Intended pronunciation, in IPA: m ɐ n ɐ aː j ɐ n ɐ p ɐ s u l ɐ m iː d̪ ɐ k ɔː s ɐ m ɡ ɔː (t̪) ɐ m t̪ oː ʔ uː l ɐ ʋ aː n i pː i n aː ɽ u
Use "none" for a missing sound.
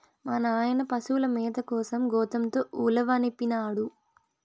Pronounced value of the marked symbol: t̪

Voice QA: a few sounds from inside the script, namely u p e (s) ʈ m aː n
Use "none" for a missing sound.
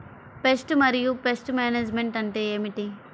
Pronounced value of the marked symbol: s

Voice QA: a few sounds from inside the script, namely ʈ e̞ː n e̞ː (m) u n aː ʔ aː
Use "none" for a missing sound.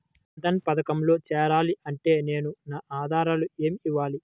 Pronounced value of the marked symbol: n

